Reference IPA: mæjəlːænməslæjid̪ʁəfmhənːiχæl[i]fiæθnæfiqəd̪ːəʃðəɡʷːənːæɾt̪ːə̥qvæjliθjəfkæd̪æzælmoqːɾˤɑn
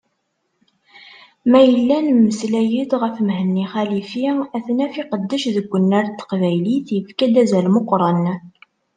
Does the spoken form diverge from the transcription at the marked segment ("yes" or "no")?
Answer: no